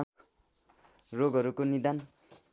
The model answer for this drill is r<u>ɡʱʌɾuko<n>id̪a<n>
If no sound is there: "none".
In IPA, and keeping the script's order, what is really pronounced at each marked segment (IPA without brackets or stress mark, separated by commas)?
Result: o, n, n